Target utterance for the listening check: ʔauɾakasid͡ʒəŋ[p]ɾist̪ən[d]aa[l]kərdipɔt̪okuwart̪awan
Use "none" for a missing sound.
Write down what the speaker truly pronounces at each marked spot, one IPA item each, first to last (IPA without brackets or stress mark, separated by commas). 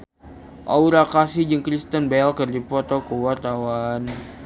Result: k, b, l